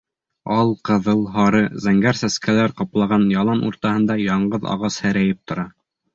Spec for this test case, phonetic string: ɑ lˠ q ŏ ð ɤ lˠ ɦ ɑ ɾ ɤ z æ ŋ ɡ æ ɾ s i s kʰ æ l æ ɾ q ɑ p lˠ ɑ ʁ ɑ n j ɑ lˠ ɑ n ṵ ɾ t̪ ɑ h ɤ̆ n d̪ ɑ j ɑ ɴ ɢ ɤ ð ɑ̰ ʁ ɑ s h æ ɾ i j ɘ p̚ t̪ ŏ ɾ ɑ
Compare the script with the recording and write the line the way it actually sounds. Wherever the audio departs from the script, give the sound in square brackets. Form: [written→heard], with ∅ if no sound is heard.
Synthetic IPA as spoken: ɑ lˠ q [ŏ→ɤ̆] ð ɤ lˠ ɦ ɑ ɾ ɤ z æ ŋ ɡ æ ɾ s [i→æ] s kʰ æ l æ ɾ q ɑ p lˠ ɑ ʁ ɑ n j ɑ lˠ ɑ n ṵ ɾ t̪ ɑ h ɤ̆ n d̪ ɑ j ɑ ɴ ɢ ɤ ð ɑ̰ ʁ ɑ s h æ ɾ [i→æ] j ɘ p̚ t̪ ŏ ɾ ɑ

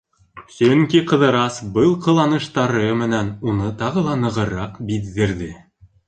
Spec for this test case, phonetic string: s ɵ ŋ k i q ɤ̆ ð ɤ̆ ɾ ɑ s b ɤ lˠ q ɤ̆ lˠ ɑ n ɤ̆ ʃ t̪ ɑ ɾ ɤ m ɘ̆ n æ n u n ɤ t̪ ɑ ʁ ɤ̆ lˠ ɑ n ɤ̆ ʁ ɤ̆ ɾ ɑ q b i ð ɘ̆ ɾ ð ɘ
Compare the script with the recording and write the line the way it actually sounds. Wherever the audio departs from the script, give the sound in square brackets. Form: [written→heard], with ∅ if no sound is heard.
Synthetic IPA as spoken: s ɵ ŋ k i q ɤ̆ ð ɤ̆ ɾ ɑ s b ɤ lˠ q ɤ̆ lˠ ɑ n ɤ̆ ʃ t̪ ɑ ɾ ɤ m ɘ̆ n æ n u n ɤ t̪ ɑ ʁ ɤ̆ lˠ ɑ n ɤ̆ ʁ ɤ̆ ɾ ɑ q b i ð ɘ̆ ɾ ð ɘ

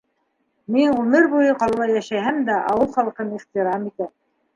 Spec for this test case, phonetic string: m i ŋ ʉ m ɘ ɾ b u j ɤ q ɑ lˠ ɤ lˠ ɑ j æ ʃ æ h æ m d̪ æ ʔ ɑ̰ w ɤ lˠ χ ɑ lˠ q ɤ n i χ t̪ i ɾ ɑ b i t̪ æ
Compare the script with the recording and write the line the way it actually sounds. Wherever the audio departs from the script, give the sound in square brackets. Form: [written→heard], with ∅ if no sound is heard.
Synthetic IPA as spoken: m i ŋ ʉ m ɘ ɾ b u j ɤ q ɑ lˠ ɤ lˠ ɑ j æ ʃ æ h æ m d̪ æ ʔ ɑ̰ w ɤ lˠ χ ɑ lˠ q ɤ n i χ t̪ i ɾ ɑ [b→m] i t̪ æ

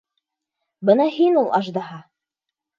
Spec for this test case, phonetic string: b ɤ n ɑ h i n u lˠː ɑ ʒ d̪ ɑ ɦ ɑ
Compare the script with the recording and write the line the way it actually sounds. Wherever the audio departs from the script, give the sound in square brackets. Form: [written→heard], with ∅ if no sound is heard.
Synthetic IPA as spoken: b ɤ n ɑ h i n u [lˠː→lˠ] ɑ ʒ d̪ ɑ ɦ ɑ

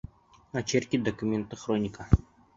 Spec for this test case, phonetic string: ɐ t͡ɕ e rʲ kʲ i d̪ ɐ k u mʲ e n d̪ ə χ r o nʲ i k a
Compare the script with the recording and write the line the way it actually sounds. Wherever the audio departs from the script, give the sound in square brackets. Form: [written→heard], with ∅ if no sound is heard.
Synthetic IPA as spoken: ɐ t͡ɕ e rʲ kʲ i d̪ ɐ k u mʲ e n [d̪→t̪] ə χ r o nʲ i k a

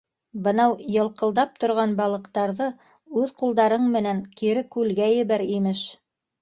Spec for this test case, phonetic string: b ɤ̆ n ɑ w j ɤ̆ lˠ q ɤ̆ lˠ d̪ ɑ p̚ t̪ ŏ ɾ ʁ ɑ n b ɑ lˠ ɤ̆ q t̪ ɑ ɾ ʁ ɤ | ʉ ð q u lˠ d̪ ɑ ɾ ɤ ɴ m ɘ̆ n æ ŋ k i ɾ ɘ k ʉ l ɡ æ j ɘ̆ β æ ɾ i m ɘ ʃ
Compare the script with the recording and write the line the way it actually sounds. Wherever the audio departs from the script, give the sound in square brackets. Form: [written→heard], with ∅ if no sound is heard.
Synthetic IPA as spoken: b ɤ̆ n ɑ w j ɤ̆ lˠ q ɤ̆ lˠ d̪ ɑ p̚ t̪ ŏ ɾ ʁ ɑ n b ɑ lˠ ɤ̆ q t̪ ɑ ɾ [ʁ→ð] ɤ | ʉ ð q u lˠ d̪ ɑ ɾ ɤ ɴ m ɘ̆ n æ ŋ k i ɾ ɘ k ʉ l ɡ æ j ɘ̆ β æ ɾ i m ɘ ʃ

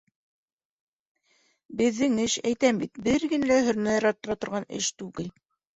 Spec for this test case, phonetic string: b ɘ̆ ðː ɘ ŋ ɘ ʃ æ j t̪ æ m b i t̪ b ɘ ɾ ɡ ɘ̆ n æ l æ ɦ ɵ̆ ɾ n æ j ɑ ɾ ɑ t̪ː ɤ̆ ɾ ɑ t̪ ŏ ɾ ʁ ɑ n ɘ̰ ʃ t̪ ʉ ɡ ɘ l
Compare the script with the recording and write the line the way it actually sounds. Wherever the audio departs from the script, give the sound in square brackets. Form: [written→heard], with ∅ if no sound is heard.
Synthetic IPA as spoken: b ɘ̆ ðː ɘ ŋ ɘ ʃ æ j t̪ æ m b i t̪ b ɘ ɾ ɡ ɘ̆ n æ l æ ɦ ɵ̆ ɾ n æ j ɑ ɾ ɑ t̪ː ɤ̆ ɾ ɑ t̪ ŏ ɾ ʁ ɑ n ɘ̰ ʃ t̪ ʉ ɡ ɘ l

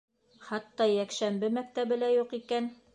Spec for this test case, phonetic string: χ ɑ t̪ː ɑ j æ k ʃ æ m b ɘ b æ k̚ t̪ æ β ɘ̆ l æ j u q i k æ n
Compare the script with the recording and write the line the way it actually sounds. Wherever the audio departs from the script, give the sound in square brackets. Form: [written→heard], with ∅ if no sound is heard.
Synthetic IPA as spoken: χ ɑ t̪ː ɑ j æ k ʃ æ m b ɘ [b→m] æ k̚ t̪ æ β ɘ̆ l æ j u q i k æ n

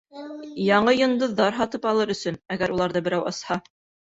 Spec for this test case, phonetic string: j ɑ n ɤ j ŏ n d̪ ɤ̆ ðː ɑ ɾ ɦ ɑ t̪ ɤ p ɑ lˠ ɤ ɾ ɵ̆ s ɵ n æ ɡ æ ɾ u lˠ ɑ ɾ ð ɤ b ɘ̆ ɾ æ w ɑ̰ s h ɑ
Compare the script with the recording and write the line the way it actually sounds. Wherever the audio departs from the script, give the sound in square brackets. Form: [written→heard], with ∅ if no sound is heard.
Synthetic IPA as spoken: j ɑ [n→ɴ] ɤ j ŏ n d̪ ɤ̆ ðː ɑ ɾ ɦ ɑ t̪ ɤ p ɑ lˠ ɤ ɾ ɵ̆ s ɵ n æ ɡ æ ɾ u lˠ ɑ ɾ ð ɤ b ɘ̆ ɾ æ w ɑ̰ s h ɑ

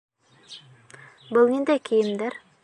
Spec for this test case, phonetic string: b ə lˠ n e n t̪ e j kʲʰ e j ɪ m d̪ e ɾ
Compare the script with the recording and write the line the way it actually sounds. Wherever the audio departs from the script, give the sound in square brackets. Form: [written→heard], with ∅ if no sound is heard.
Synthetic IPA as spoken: b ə lˠ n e n [t̪→d̪] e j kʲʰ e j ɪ m d̪ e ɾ

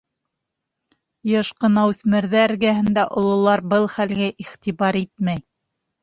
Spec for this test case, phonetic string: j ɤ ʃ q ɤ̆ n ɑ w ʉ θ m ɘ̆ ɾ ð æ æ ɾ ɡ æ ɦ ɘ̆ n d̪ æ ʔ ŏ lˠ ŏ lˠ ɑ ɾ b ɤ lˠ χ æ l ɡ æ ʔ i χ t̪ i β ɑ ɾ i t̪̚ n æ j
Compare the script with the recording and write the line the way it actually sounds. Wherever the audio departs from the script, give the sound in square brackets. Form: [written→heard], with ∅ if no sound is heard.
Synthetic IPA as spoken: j ɤ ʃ q ɤ̆ n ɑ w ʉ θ m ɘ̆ ɾ ð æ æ ɾ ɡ æ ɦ ɘ̆ n d̪ æ ʔ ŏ lˠ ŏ lˠ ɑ ɾ b ɤ lˠ χ æ l ɡ æ ʔ i χ t̪ i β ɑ ɾ i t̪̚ [n→m] æ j

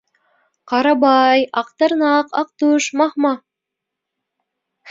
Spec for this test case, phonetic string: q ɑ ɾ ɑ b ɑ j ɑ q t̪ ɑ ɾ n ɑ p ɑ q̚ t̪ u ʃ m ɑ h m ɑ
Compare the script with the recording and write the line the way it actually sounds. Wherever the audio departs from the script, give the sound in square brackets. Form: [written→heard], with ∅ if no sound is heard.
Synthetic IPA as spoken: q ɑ ɾ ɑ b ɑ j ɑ q t̪ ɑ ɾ n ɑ [p→q] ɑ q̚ t̪ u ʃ m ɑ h m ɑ

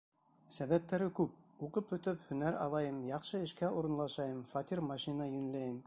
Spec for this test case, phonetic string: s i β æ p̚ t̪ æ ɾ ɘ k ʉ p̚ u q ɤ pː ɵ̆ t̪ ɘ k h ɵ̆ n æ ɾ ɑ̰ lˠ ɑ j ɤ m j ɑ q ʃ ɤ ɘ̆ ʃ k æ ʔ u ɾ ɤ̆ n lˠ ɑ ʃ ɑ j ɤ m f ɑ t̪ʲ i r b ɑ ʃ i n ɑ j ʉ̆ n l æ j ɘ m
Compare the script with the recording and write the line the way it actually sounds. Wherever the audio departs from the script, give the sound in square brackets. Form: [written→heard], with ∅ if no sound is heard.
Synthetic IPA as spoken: s [i→æ] β æ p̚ t̪ æ ɾ ɘ k ʉ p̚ u q ɤ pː ɵ̆ t̪ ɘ [k→p] h ɵ̆ n æ ɾ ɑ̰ lˠ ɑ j ɤ m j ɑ q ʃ ɤ ɘ̆ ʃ k æ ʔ u ɾ ɤ̆ n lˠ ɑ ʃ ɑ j ɤ m f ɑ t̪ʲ i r [b→m] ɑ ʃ i n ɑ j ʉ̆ n l æ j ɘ m

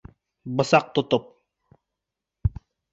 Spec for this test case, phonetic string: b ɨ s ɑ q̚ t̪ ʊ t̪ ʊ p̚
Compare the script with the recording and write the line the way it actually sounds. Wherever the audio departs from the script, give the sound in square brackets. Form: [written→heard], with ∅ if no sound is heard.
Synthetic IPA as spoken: b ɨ s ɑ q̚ t̪ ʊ t̪ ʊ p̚

